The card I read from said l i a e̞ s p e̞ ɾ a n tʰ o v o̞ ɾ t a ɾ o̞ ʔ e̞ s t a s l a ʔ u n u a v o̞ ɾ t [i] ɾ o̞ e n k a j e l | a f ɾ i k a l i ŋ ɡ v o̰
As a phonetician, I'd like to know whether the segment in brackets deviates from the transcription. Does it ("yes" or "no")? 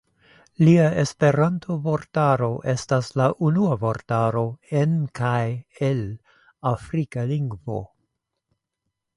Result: yes